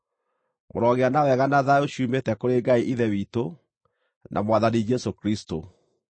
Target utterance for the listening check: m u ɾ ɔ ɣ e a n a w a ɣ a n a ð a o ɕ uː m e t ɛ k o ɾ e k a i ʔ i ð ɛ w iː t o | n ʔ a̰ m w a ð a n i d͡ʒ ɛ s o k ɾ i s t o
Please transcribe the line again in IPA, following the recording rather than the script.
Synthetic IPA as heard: m o ɾ ɔ ɣ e a n a w ɛ ɣ a n a ð a o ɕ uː m e t ɛ k o ɾ e ɡ a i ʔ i ð ɛ w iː t o | n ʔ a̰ m w a ð a n i d͡ʒ ɛ s o k ɾ i s t o